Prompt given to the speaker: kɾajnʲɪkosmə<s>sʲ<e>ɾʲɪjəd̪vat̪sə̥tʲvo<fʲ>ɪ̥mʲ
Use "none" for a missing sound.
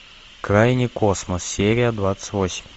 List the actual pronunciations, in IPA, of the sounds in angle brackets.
s, e, sʲ

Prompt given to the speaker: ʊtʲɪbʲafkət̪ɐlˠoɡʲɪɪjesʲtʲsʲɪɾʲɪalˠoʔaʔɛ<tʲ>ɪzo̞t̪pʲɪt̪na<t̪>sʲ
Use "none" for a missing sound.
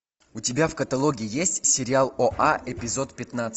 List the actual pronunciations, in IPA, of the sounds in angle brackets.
pʲ, t̪

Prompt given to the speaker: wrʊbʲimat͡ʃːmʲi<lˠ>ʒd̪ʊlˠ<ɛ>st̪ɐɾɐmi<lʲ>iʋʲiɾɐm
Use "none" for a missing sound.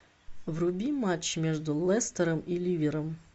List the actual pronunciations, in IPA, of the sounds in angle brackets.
none, ɛ, lʲ

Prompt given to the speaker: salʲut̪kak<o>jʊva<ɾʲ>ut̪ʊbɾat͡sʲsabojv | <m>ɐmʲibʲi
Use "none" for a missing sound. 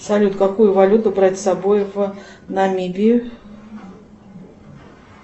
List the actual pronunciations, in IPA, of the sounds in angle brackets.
u, lʲ, n

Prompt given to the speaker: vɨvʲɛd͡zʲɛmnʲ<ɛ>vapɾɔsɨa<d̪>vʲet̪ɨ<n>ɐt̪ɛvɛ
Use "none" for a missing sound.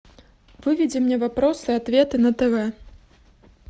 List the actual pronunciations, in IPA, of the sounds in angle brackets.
ɛ, t̪, n

